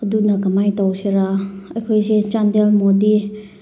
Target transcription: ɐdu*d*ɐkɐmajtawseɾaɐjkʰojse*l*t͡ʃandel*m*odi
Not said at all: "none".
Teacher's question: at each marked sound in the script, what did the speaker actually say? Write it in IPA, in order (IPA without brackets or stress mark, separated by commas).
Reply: n, none, m